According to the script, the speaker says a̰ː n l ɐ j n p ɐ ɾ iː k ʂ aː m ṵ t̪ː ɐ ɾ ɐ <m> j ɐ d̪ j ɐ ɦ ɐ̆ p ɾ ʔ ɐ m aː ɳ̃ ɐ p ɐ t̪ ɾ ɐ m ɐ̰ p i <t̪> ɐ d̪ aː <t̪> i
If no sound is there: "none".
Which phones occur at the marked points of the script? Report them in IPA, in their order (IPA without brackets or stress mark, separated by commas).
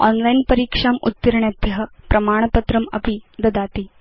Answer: ɳ, d̪, t̪